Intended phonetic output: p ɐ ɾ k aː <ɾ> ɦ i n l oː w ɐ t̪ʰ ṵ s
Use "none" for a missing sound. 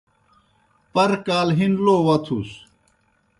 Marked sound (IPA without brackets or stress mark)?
l